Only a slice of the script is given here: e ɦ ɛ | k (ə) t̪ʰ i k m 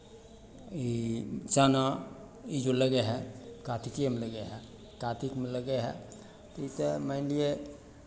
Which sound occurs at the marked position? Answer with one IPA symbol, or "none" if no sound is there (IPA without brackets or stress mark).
a